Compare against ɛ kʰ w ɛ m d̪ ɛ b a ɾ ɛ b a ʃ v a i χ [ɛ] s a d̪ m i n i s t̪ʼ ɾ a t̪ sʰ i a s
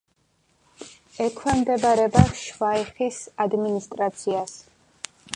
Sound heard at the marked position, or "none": i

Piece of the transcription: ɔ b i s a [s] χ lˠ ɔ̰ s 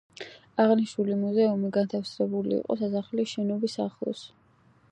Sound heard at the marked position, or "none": none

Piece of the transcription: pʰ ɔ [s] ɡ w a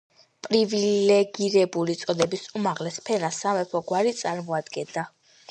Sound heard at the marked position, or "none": none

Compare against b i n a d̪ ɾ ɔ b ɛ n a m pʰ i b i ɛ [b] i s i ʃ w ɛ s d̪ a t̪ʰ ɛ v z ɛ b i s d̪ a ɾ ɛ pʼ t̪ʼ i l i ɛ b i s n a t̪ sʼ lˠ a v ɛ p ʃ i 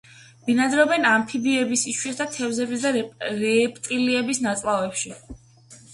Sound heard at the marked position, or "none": b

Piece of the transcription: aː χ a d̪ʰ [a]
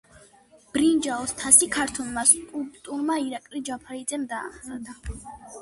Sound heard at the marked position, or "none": a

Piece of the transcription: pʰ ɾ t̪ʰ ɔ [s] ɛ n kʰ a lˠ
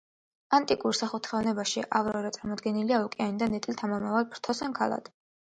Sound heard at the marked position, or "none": s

